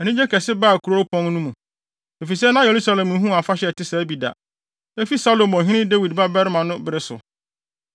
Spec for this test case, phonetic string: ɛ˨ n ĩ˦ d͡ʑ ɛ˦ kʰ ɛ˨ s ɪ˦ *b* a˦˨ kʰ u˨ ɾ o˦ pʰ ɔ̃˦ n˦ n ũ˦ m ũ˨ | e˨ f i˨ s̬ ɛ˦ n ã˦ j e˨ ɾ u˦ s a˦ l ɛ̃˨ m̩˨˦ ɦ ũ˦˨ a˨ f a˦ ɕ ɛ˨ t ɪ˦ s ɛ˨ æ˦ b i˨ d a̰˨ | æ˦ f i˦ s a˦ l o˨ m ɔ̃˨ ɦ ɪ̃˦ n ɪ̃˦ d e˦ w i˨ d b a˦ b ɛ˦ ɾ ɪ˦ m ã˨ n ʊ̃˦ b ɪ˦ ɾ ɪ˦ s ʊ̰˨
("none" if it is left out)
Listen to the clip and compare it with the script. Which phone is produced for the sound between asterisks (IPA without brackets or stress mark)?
b